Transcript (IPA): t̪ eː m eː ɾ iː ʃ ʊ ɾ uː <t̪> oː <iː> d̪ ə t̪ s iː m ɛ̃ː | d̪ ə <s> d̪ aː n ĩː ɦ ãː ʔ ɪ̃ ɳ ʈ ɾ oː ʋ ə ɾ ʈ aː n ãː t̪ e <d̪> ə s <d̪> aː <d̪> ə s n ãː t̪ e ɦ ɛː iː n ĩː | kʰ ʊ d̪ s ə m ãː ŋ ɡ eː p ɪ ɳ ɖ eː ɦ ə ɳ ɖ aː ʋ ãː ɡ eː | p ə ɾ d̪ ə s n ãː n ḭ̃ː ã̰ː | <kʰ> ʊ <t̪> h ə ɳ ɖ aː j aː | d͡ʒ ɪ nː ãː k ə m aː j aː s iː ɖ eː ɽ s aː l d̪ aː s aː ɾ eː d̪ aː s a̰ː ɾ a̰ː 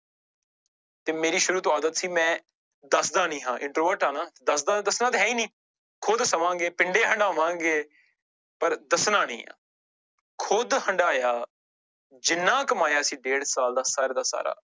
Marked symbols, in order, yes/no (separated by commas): yes, no, yes, yes, yes, yes, yes, no